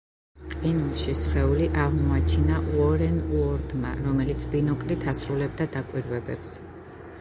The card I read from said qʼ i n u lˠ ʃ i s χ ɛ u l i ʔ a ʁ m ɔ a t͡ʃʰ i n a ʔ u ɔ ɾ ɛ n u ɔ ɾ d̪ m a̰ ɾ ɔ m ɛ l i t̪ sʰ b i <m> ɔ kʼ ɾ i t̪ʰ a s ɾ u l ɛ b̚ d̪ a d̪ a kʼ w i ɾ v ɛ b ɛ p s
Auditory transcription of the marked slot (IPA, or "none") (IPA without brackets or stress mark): n